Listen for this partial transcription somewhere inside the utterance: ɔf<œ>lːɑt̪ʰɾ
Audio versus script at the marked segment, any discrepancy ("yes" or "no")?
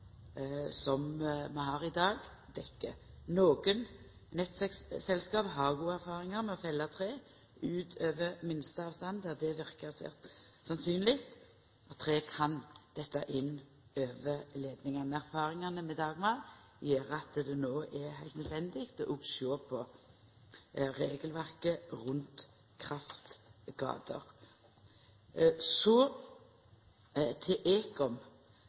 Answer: yes